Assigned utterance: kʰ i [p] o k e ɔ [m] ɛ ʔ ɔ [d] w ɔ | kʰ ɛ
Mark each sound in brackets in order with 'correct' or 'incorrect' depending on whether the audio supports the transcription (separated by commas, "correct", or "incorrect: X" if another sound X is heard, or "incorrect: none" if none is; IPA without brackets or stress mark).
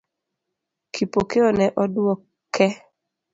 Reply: correct, incorrect: n, correct